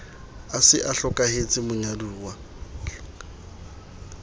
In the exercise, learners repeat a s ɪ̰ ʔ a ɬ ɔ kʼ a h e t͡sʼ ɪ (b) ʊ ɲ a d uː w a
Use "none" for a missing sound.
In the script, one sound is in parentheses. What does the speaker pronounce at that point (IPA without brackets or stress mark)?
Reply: m